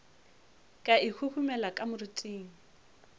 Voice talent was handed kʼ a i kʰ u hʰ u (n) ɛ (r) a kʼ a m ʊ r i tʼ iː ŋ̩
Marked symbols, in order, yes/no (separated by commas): no, no